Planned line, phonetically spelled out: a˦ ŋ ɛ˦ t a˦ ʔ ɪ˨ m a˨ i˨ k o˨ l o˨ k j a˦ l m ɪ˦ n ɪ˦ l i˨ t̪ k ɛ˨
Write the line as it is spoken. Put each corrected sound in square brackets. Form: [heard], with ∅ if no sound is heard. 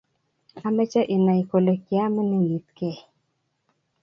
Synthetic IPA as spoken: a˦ [m] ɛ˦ [t͡ʃ] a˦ ʔ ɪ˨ [n] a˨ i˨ k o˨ l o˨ k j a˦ [∅] m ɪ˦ n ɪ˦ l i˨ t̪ k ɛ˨